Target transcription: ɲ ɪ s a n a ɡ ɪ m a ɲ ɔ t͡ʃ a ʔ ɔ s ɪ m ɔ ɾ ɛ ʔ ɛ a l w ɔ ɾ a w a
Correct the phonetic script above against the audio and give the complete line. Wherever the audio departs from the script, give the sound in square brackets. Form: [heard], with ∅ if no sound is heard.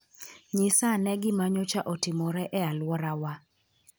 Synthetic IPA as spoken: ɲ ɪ s a n [ɛ] ɡ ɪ m a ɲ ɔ t͡ʃ a ʔ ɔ [t] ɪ m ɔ ɾ ɛ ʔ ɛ a l w ɔ ɾ a w a